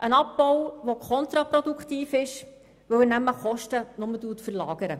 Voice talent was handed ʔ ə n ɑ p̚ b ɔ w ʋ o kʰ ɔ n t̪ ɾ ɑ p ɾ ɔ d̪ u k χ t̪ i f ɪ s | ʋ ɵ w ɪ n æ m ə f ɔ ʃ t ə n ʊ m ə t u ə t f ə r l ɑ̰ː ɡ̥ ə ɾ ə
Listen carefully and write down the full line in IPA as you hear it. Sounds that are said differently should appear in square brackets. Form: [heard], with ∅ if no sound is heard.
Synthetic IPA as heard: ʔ ə n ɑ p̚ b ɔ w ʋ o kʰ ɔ n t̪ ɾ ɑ p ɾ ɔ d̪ u k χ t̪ [iː] f ɪ [ʃ] | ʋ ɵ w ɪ n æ m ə [χ] ɔ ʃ t ə n ʊ m ə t u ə t f ə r l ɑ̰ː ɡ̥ ə ɾ ə